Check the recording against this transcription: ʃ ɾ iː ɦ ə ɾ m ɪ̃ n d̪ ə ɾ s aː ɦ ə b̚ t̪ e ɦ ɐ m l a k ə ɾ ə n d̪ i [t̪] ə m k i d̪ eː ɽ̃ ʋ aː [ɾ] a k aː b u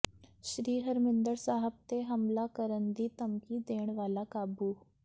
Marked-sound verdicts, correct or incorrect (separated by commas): correct, incorrect